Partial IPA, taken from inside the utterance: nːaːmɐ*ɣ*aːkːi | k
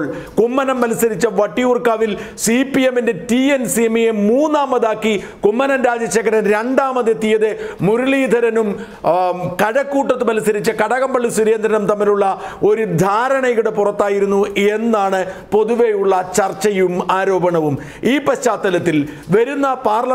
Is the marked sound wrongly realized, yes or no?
yes